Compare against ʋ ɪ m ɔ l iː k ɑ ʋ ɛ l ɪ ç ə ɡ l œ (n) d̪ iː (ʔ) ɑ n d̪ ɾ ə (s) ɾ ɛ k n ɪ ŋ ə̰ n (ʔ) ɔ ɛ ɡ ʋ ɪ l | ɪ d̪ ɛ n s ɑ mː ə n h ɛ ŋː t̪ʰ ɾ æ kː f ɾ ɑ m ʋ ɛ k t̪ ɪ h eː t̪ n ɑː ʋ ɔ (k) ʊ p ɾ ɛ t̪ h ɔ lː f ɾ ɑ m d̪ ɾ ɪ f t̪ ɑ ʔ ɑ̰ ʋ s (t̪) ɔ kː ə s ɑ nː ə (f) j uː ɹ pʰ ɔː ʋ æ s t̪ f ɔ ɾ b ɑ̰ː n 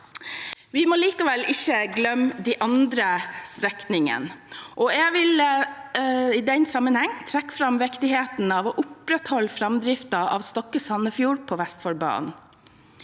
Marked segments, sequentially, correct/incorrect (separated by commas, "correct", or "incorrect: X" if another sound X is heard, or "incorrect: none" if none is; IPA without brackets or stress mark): incorrect: m, correct, correct, correct, incorrect: ʔ, correct, correct